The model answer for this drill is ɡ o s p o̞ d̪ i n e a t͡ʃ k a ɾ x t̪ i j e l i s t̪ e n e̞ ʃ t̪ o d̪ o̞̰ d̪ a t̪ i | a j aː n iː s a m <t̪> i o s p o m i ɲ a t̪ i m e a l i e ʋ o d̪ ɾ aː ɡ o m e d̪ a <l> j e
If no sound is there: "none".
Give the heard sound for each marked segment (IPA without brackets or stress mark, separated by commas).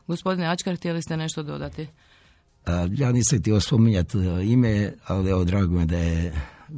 t̪, none